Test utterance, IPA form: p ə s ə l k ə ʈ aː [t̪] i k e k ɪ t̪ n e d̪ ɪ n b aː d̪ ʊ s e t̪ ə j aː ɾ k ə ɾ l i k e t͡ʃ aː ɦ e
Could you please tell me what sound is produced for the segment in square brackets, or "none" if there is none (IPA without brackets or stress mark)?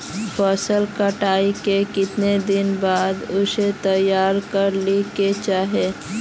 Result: none